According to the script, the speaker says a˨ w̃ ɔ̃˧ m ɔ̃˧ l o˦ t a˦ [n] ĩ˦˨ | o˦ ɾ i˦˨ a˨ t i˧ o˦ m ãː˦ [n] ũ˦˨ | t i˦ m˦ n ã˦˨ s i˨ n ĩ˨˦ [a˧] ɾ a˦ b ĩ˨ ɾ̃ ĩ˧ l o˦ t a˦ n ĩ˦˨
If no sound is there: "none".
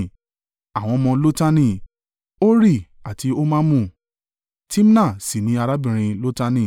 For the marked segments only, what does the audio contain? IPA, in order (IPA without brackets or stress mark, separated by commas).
n, m, a˧